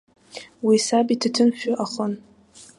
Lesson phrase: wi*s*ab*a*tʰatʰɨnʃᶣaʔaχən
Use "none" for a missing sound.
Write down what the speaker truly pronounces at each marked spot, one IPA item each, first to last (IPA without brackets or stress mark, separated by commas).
s, i